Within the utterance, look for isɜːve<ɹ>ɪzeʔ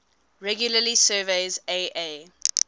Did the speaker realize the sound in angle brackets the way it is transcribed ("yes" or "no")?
no